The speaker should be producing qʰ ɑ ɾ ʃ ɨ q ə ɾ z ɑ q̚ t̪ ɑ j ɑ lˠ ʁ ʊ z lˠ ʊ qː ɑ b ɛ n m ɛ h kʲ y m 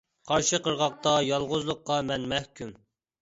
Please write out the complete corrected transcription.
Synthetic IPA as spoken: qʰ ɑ ɾ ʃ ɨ q ə ɾ ʁ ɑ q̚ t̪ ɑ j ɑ lˠ ʁ ʊ z lˠ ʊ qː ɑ m ɛ n m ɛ h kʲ y m